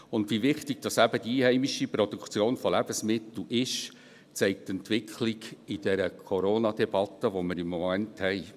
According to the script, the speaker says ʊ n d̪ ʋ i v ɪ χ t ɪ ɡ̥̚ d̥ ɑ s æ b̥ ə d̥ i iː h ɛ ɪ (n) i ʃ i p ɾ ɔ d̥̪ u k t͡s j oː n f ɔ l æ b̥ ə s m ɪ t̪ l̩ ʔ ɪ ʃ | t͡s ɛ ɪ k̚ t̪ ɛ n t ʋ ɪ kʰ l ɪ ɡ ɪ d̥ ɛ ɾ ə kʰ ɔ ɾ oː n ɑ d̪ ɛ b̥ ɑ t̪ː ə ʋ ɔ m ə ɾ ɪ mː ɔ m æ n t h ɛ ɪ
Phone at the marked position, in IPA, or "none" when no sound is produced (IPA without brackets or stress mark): m